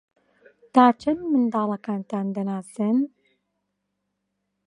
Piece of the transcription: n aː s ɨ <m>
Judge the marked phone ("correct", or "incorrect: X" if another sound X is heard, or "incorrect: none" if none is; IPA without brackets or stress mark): incorrect: n